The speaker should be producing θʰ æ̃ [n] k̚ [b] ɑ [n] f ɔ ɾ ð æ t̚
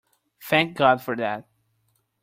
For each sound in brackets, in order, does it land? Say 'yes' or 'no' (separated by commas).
no, no, no